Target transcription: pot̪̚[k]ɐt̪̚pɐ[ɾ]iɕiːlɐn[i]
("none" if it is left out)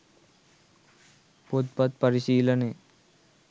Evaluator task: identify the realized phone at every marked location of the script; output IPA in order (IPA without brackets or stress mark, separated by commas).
p, ɾ, e